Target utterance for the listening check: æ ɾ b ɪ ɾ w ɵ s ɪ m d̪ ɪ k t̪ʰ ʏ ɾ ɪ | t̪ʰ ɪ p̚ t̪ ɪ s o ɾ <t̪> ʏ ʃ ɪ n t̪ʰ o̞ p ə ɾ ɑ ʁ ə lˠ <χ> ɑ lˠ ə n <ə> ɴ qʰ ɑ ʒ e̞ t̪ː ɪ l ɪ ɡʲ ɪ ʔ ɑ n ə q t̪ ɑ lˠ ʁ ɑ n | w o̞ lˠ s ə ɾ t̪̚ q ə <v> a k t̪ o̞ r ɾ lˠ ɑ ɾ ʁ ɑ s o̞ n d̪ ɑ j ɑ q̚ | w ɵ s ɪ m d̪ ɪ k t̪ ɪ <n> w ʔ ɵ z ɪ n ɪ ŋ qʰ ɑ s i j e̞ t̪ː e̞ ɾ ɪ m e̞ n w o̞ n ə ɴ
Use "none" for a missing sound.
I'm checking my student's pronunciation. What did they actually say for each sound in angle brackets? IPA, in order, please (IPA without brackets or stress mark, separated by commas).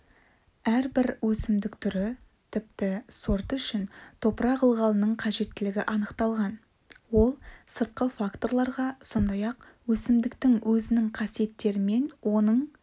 t̪, ʁ, ə, f, ŋ